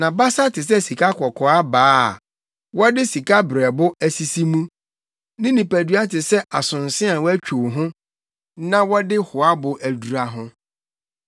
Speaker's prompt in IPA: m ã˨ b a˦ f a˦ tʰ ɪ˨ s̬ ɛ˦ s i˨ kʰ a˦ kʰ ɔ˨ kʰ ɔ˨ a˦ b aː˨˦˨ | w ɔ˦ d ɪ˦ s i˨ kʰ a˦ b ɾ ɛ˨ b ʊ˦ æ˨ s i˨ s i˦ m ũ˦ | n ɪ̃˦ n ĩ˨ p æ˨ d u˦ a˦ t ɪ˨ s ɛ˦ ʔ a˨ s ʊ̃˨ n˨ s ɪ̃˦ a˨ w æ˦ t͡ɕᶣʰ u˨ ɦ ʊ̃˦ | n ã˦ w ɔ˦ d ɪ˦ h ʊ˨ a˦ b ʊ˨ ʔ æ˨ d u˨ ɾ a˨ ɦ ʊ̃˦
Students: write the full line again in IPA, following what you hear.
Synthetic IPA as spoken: n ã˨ b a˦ s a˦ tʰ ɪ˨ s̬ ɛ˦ s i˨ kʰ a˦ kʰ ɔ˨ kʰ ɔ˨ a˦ b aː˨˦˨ | w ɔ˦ d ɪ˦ s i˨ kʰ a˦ b ɾ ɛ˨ b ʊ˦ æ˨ s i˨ s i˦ m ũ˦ | n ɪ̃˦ n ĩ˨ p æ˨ d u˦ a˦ t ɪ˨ s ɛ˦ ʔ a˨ s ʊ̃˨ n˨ s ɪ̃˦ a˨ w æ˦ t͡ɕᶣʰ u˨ ɦ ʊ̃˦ | n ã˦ w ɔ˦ d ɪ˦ h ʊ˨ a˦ b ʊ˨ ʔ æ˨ d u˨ ɾ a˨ ɦ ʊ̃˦